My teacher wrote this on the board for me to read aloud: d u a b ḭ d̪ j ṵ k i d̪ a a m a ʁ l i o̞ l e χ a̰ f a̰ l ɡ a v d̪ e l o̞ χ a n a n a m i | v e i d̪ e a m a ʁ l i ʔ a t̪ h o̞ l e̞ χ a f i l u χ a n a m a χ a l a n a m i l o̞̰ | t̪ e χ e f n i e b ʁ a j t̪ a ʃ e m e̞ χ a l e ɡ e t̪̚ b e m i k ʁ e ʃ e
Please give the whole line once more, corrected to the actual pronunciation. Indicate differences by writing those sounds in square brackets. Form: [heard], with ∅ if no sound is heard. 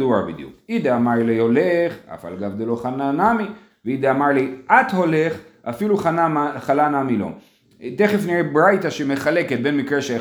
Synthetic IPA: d u a b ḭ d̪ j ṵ k i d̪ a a m a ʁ l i o̞ l e χ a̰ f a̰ l ɡ a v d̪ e l o̞ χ a n a n a m i | v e i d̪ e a m a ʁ l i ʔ a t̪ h o̞ l e̞ χ a f i l u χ a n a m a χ a l a n a m i l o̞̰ | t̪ e χ e f n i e b ʁ a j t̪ a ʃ e m e̞ χ a l e [k] e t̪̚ b e m i k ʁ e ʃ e